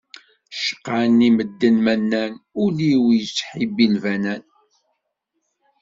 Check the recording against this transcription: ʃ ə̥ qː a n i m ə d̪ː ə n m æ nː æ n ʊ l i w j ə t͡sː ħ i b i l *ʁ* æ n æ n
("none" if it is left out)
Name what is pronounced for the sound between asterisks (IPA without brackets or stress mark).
v